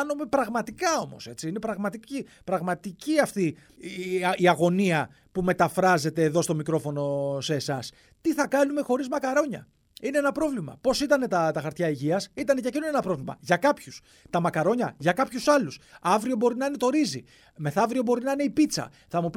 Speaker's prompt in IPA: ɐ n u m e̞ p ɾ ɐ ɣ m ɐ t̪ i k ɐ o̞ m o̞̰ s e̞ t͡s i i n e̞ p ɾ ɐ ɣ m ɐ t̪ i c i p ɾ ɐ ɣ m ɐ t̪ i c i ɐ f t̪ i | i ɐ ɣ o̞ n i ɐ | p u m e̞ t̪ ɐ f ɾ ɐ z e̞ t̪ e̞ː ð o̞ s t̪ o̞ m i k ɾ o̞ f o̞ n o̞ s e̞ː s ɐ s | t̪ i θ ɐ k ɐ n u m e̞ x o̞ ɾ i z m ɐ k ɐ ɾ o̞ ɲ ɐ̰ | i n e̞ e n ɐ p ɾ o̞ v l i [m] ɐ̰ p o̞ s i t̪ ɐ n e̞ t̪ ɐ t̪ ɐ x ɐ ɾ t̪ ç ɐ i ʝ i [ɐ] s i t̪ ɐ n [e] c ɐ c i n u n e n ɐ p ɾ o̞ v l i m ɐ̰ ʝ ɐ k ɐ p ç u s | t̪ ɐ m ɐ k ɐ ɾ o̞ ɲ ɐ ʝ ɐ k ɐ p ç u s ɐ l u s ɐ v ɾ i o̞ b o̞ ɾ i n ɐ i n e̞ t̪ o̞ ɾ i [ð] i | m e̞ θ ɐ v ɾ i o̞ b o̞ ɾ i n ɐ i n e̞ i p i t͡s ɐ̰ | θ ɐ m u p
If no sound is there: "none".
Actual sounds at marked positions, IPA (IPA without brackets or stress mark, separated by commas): m, ɐ, e, z